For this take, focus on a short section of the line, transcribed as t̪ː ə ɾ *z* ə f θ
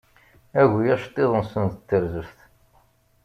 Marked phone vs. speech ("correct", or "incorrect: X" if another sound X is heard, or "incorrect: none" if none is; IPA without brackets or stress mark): correct